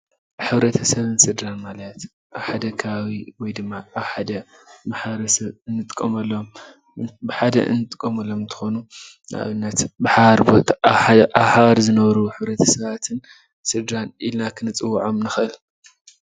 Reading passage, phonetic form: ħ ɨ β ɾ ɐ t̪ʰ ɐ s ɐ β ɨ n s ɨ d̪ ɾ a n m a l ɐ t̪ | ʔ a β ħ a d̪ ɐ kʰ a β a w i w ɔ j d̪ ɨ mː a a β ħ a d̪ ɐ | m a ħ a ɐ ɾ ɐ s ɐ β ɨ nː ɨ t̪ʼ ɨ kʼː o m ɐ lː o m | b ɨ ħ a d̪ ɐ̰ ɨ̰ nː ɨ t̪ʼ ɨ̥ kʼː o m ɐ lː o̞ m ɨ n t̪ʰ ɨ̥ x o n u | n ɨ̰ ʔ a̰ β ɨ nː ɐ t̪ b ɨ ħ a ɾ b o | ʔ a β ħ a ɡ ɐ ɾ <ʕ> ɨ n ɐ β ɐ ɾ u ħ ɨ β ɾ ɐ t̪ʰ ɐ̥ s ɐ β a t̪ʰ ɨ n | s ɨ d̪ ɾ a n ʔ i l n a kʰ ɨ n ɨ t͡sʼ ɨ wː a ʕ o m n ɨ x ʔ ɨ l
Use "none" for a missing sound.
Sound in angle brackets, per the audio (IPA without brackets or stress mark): z